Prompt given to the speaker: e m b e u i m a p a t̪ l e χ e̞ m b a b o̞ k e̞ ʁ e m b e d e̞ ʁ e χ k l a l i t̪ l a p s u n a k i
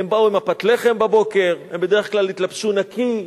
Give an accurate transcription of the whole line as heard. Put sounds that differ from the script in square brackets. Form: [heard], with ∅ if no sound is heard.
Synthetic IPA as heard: e m b [a] u i m a p a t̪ l e χ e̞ m b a b o̞ k e̞ ʁ e m b e d e̞ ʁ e χ k l a l i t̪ l a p [ʃ] u n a k i